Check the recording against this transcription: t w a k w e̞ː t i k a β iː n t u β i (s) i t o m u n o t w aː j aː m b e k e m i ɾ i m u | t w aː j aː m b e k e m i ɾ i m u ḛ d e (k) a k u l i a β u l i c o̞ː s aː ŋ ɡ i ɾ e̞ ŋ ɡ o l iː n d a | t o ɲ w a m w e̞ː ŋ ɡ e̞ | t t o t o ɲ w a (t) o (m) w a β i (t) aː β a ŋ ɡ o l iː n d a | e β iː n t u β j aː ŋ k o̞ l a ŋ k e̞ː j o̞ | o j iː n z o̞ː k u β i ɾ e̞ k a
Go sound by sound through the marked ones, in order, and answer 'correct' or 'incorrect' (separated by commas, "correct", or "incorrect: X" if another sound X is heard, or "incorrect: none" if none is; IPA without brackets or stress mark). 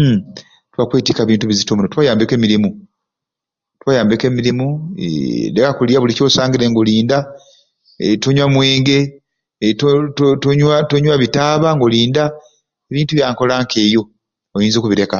incorrect: z, correct, correct, incorrect: ɲ, correct